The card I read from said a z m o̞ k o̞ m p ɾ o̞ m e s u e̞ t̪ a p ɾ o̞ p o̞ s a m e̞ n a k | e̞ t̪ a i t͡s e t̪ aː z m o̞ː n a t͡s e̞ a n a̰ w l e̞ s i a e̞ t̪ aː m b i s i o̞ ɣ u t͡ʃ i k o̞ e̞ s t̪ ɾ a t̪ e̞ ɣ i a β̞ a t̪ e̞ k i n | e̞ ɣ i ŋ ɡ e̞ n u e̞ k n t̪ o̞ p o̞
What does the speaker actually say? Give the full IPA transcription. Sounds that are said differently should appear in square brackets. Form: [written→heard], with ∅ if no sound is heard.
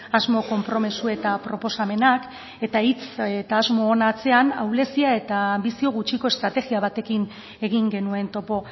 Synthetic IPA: a z m o̞ k o̞ m p ɾ o̞ m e s u e̞ t̪ a p ɾ o̞ p o̞ s a m e̞ n a k | e̞ t̪ a i t͡s e t̪ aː z m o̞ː n a t͡s e̞ a n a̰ w l e̞ s i a e̞ t̪ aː m b i s i o̞ ɣ u t͡ʃ i k o̞ e̞ s t̪ ɾ a t̪ e̞ ɣ i a β̞ a t̪ e̞ k i n | e̞ ɣ i ŋ ɡ e̞ n u e̞ [k→∅] n t̪ o̞ p o̞

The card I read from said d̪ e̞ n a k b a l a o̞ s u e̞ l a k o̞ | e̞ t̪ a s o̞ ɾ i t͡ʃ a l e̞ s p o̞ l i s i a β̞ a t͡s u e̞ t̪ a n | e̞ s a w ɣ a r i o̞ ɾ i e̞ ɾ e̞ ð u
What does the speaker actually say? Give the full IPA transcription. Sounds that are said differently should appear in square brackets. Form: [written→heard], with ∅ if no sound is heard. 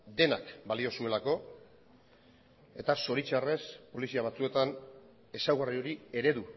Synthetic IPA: d̪ e̞ n a k b a l [a→i] o̞ s u e̞ l a k o̞ | e̞ t̪ a s o̞ ɾ i t͡ʃ a [l→r] e̞ s p o̞ l i s i a β̞ a t͡s u e̞ t̪ a n | e̞ s a w ɣ a r i o̞ ɾ i e̞ ɾ e̞ ð u

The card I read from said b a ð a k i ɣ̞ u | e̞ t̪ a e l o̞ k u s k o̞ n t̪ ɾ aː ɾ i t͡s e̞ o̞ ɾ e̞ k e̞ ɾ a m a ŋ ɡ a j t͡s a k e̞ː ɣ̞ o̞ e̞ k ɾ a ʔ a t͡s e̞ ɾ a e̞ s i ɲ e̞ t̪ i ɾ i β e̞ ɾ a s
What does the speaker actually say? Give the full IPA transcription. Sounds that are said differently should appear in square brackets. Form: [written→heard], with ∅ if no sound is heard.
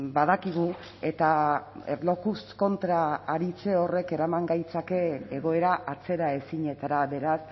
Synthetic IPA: b a ð a k i ɣ̞ u | e̞ t̪ a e l o̞ k u s k o̞ n t̪ ɾ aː ɾ i t͡s e̞ o̞ [ɾ→r] e̞ k e̞ ɾ a m a ŋ ɡ a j t͡s a k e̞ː ɣ̞ o̞ e̞ [k→∅] ɾ a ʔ a t͡s e̞ ɾ a e̞ s i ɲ e̞ t̪ [i→a] ɾ [i→a] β e̞ ɾ a s

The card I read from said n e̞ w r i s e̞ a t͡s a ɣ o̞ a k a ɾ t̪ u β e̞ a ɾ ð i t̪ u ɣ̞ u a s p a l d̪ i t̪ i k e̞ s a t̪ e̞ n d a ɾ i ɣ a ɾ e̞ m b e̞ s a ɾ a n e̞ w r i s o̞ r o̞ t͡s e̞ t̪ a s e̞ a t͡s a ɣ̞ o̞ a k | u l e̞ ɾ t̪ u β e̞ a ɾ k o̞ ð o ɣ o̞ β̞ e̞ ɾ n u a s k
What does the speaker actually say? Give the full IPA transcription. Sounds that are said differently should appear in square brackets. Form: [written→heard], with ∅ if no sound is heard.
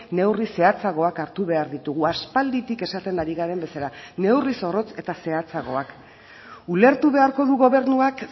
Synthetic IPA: n e̞ w r i s e̞ a t͡s a ɣ o̞ a k a ɾ t̪ u β e̞ a ɾ ð i t̪ u ɣ̞ u a s p a l d̪ i t̪ i k e̞ s a t̪ e̞ n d a ɾ i ɣ a ɾ e̞ m b e̞ s a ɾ a n e̞ w r i s o̞ r o̞ t͡s e̞ t̪ a s e̞ a t͡s a ɣ̞ o̞ a k | u l e̞ ɾ t̪ u β e̞ a ɾ k o̞ ð [o→u] ɣ o̞ β̞ e̞ ɾ n u a [s→∅] k

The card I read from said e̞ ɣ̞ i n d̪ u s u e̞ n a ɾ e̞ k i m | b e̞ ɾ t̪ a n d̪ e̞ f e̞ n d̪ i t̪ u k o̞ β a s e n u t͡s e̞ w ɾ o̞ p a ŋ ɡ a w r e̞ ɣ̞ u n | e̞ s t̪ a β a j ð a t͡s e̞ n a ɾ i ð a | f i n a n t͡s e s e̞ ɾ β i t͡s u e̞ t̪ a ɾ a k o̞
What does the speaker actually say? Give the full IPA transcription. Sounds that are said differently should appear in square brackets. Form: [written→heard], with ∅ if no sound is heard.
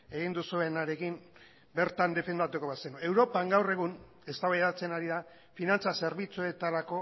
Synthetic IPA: e̞ ɣ̞ i n d̪ u s u e̞ n a ɾ e̞ k i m | b e̞ ɾ t̪ a n d̪ e̞ f e̞ n d̪ [i→a] t̪ u k o̞ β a s e n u [t͡s→∅] e̞ w ɾ o̞ p a ŋ ɡ a w r e̞ ɣ̞ u n | e̞ s t̪ a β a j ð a t͡s e̞ n a ɾ i ð a | f i n a n t͡s [e→a] s e̞ ɾ β i t͡s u e̞ t̪ a ɾ a k o̞

